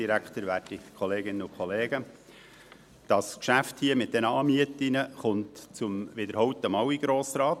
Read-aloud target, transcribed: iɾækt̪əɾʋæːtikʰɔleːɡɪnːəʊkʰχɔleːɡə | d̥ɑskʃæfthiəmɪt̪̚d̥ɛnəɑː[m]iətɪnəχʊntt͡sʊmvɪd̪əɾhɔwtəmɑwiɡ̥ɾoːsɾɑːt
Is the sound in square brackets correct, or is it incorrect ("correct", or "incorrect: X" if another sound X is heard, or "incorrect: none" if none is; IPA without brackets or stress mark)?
correct